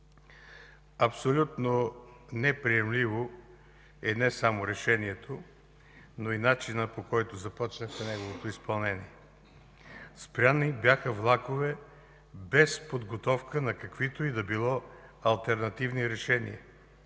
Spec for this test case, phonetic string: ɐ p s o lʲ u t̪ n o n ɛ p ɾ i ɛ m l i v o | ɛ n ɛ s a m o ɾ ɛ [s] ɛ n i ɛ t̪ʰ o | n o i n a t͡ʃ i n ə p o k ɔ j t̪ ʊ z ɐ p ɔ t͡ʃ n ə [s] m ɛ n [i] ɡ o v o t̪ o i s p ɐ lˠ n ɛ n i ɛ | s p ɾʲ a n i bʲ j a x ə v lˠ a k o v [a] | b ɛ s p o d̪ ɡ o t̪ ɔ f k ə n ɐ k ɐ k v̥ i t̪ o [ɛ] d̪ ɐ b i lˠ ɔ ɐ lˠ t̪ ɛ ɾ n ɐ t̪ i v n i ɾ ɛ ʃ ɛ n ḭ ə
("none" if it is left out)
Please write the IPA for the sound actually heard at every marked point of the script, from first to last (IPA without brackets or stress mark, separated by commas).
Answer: ʃ, x, ɛ, ɛ, i